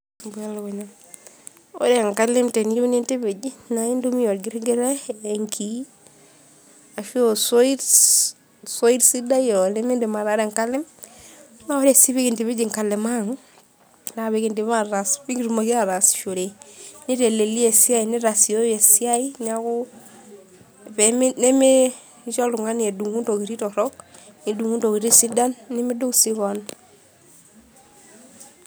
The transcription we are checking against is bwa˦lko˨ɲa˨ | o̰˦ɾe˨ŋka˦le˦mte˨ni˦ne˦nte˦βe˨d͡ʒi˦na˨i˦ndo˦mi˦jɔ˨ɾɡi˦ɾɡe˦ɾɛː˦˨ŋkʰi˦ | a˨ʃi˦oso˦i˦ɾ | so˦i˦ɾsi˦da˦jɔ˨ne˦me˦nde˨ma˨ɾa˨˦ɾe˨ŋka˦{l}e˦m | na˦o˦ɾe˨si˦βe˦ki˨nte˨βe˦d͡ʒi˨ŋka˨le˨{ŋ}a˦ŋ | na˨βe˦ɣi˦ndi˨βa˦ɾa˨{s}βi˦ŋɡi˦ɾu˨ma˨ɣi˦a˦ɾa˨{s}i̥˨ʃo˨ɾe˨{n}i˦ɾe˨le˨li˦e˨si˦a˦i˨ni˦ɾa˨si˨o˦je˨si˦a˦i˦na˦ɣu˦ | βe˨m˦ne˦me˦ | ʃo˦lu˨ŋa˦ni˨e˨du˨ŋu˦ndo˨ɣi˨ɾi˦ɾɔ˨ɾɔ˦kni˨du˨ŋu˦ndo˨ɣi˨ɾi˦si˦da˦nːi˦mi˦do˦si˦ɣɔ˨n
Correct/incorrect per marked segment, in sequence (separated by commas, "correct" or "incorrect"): correct, incorrect, correct, correct, correct